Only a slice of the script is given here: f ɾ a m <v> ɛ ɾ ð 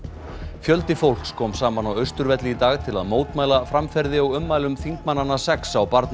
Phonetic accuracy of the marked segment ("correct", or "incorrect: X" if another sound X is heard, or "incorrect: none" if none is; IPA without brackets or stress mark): incorrect: f